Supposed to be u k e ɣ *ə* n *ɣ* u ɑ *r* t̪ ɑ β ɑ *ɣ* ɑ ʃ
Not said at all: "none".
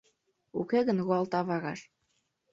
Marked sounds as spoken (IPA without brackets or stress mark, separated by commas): ə, ɣ, l, ɣ